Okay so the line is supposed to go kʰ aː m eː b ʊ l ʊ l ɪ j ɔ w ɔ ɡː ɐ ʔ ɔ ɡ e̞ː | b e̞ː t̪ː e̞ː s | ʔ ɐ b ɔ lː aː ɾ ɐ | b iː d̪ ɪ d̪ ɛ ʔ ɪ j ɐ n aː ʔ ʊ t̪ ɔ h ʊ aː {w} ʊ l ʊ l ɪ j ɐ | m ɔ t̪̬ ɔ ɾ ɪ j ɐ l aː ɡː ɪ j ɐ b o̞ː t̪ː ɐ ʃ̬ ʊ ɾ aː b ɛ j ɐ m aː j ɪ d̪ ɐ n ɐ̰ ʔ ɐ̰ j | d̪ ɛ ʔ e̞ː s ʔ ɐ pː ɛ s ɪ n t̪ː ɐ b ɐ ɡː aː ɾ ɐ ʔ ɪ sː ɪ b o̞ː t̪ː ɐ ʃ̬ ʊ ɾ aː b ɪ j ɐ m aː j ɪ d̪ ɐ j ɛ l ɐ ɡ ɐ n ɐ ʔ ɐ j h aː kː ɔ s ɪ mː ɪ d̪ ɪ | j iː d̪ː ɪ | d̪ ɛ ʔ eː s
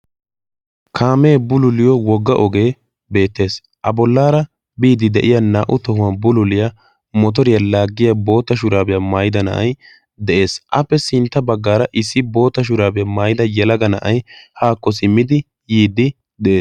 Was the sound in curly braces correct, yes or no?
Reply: no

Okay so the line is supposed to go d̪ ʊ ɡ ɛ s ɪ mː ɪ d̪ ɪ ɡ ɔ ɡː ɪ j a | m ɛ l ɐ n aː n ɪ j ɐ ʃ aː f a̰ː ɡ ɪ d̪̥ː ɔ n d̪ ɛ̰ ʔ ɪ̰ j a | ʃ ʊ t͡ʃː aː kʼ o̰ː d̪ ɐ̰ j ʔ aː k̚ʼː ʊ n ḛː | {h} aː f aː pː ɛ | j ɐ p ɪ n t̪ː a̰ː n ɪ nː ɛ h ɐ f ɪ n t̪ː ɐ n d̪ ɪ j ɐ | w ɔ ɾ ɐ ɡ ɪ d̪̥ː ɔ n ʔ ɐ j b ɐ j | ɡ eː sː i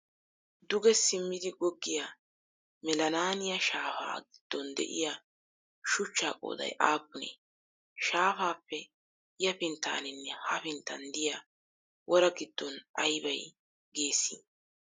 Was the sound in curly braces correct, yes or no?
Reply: no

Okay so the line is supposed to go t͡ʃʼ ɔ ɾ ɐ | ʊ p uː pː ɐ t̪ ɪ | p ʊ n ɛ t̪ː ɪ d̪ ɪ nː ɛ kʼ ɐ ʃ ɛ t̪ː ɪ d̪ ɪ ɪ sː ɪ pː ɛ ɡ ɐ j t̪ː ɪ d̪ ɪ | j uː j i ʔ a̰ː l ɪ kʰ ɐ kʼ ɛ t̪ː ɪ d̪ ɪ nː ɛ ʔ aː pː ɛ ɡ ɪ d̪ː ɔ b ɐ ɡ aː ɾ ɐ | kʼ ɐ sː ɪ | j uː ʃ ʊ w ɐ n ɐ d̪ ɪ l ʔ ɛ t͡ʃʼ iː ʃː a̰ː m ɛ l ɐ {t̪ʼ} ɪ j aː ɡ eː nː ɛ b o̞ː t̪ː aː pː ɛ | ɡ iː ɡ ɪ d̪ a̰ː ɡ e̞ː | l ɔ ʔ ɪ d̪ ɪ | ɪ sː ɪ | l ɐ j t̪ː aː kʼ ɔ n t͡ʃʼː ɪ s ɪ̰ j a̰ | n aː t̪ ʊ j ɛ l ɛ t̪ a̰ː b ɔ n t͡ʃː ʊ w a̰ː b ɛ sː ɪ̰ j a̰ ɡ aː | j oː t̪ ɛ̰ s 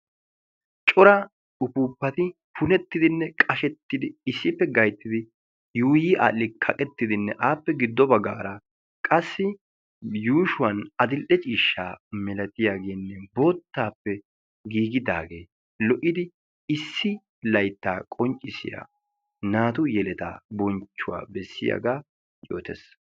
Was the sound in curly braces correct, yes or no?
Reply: no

